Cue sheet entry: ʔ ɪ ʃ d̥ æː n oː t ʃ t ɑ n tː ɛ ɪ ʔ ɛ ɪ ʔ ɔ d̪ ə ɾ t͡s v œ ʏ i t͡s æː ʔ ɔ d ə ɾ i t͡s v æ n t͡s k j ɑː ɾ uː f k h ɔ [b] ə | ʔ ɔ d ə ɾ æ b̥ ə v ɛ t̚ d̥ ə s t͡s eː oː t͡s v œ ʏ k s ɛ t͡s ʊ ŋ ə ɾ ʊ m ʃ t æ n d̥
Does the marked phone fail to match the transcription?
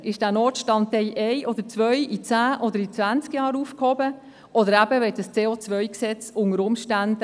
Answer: no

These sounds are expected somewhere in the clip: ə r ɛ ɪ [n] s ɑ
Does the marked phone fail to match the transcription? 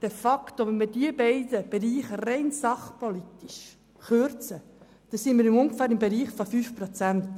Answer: no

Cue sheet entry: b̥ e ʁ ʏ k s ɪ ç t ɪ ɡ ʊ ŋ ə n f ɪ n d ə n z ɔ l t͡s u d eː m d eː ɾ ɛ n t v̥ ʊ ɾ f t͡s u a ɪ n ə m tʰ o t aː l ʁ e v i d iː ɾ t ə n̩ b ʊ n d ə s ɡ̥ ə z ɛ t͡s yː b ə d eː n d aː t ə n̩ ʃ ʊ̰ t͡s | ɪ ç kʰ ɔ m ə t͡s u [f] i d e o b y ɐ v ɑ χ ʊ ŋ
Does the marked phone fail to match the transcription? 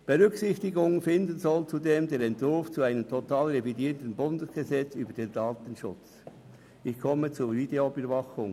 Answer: yes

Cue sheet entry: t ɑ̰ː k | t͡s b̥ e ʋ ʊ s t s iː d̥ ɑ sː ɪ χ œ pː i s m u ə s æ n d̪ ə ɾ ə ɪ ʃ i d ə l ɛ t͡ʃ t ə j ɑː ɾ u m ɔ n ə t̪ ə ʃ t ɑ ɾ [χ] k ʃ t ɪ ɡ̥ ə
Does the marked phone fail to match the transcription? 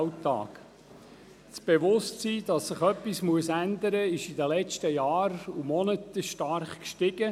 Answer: no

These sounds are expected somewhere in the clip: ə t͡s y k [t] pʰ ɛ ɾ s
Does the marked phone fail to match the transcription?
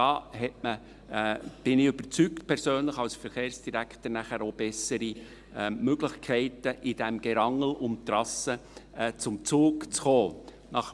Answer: no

